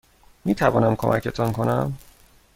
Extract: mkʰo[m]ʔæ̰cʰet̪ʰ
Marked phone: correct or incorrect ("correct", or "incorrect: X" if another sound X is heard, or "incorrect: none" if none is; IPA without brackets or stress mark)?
correct